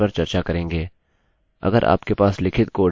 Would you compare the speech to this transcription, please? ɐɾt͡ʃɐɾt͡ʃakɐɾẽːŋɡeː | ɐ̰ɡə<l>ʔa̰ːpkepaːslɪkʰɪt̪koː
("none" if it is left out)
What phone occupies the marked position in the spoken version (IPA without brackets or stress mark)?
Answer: ɾ